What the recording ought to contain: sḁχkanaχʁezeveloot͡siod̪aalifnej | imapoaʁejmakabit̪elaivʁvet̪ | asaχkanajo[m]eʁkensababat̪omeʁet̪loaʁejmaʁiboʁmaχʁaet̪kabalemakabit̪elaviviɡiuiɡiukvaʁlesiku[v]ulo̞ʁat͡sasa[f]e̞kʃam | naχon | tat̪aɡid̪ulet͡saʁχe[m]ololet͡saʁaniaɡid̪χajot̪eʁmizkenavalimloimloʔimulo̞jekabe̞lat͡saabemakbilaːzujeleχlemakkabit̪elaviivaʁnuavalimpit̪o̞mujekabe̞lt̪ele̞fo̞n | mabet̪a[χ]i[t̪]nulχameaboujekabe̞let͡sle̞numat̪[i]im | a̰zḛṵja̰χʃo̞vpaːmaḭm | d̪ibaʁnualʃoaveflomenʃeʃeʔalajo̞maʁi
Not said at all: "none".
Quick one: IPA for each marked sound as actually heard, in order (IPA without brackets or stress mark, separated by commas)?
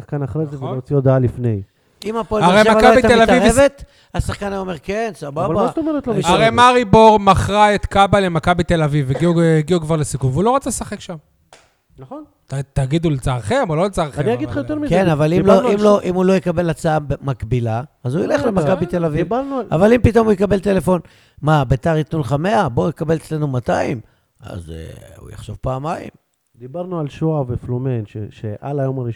m, v, χ, m, ʁ, t̪, a